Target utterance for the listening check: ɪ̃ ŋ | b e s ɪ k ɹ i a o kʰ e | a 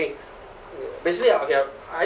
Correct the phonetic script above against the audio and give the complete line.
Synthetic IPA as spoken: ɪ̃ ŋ | b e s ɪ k l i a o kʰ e | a